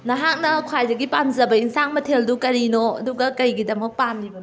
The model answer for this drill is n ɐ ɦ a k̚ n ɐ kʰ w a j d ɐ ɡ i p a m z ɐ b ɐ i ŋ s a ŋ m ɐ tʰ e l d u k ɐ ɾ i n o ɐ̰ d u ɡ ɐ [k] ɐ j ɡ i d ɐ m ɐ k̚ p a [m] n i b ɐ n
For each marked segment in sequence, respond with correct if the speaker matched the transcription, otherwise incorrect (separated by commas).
correct, correct